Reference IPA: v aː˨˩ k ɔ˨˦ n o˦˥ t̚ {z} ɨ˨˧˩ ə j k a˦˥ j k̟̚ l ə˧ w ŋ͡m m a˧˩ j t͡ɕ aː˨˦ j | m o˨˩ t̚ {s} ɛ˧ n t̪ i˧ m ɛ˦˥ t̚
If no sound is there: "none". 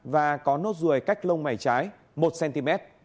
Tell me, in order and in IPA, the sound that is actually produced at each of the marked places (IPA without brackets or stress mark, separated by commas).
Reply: z, s